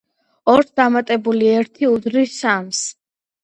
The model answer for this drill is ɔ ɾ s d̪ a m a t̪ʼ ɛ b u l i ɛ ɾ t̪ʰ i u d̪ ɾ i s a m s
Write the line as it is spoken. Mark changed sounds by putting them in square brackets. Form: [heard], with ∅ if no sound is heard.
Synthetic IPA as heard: ɔ ɾ s d̪ a m a t̪ʼ ɛ b u l i ɛ ɾ t̪ʰ i u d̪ ɾ i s a m s